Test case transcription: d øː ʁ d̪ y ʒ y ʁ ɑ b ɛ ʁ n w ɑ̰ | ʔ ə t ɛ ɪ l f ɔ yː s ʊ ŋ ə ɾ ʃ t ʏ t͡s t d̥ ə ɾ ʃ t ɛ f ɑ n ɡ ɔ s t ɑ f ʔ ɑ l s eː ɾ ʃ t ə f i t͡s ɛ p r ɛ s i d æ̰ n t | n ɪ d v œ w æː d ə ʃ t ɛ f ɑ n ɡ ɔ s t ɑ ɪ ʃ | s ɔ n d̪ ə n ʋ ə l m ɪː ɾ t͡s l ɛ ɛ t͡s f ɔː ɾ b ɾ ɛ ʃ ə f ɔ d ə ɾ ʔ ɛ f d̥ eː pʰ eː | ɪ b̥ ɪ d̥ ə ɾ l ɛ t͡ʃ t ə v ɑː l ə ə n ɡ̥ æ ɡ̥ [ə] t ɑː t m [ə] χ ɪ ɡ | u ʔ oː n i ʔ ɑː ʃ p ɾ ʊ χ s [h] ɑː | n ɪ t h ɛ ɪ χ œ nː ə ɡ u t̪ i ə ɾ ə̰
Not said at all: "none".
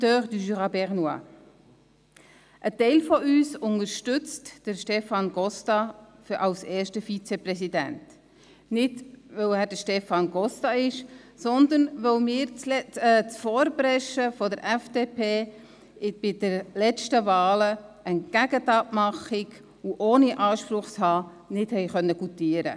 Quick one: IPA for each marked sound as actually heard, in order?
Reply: ə, ɑ, h

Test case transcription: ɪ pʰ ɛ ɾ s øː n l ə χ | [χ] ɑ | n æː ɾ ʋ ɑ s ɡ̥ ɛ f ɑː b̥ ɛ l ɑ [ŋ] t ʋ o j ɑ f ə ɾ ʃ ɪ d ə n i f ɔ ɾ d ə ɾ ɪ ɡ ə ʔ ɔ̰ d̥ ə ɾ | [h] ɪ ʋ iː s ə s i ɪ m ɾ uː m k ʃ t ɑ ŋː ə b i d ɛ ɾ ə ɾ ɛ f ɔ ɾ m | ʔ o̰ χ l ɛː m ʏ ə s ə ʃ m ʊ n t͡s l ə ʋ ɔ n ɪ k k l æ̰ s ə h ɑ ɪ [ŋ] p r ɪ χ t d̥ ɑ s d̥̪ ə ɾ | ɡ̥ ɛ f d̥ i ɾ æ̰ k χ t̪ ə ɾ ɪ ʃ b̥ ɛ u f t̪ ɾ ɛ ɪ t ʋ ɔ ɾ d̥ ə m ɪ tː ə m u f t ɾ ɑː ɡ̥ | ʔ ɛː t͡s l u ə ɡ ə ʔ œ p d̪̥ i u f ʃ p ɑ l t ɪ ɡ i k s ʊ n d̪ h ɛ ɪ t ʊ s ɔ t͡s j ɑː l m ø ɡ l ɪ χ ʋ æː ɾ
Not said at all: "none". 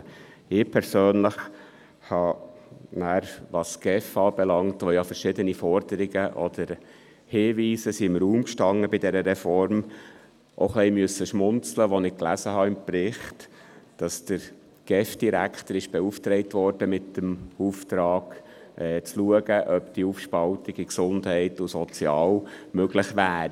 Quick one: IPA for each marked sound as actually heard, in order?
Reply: h, ŋ, h, m

